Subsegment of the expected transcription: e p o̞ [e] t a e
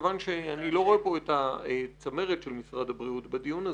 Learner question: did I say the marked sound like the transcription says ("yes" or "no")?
yes